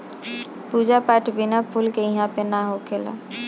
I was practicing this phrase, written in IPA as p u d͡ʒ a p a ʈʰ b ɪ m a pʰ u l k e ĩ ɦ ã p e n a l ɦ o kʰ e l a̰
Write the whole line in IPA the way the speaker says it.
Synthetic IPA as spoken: p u d͡ʒ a p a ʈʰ b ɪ n a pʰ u l k e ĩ ɦ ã p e n a ɦ o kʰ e l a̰